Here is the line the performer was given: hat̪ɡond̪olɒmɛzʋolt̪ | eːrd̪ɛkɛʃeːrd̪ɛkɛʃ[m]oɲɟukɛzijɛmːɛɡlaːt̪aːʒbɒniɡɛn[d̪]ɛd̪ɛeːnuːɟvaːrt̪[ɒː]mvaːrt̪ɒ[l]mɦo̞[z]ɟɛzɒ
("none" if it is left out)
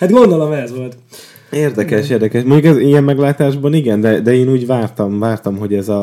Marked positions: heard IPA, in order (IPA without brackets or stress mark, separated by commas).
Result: m, d̪, ɒ, none, none